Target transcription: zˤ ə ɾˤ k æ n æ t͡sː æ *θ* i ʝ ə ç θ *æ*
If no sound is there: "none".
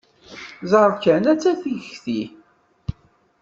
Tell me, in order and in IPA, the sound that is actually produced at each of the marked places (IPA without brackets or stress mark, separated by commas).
θ, i